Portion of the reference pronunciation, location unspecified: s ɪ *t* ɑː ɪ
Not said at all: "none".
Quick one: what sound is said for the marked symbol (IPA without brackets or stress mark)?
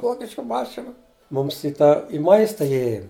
t